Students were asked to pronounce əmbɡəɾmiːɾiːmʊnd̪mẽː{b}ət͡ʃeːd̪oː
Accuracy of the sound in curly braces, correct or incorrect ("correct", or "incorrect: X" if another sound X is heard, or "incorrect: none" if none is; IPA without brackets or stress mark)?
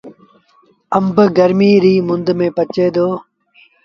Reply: incorrect: p